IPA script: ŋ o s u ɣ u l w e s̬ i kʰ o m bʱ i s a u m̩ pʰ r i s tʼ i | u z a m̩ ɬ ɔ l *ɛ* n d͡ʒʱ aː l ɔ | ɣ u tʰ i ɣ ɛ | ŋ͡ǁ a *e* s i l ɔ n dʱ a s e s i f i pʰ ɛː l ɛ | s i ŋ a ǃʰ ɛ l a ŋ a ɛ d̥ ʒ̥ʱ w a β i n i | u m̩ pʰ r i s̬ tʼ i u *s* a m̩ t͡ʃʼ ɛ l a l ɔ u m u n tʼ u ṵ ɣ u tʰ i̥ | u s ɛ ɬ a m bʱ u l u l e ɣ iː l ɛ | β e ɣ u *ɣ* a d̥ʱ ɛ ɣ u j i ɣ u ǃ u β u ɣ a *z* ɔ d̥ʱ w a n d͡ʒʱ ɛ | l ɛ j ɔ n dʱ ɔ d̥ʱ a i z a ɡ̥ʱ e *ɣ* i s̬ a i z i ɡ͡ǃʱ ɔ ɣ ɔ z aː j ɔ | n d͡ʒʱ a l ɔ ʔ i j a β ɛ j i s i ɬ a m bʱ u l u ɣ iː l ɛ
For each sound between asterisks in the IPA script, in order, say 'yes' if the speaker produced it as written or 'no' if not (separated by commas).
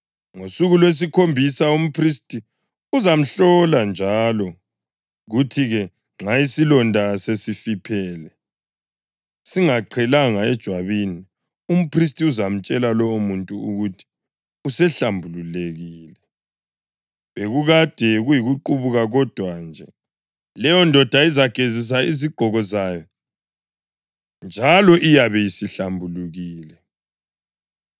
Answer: no, no, no, yes, no, no